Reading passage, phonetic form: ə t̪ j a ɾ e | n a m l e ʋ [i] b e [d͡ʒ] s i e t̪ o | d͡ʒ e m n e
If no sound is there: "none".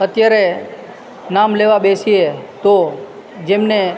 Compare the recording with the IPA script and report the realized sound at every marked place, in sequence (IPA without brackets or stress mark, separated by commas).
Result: a, none